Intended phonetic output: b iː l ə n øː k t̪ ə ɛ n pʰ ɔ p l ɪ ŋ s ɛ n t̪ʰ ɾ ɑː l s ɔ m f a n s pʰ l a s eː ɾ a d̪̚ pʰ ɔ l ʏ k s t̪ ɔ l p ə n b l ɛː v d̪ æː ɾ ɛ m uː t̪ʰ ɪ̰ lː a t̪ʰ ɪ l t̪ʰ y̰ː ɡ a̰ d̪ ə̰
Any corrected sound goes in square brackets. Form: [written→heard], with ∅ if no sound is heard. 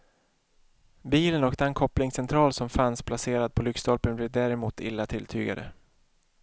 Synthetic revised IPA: b iː l ə n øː k t̪ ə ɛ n [pʰ→kʰ] ɔ p l ɪ ŋ s ɛ n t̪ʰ ɾ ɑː l s ɔ m f a n s pʰ l a s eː ɾ a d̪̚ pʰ ɔ l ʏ k s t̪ ɔ l p ə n b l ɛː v d̪ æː ɾ ɛ m uː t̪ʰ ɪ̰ lː a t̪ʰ ɪ l t̪ʰ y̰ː ɡ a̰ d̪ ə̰